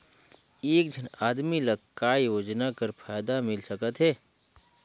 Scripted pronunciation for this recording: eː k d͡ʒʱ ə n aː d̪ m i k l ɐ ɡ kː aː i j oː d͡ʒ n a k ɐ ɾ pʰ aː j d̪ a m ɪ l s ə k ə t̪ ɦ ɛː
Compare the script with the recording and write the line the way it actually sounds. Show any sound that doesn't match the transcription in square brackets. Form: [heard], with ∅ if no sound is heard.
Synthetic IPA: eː k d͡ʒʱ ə n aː d̪ m i [∅] l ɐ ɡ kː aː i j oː d͡ʒ n a k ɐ ɾ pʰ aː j d̪ a m ɪ l s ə k ə t̪ ɦ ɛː